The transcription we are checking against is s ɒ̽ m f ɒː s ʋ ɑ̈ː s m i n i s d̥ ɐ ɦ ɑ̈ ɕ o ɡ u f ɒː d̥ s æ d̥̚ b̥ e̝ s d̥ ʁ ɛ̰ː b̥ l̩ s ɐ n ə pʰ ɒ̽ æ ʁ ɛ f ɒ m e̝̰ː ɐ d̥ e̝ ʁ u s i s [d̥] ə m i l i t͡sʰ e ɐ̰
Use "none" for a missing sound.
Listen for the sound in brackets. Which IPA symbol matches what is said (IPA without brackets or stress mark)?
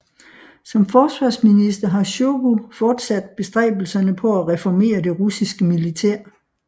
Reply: ɡ̥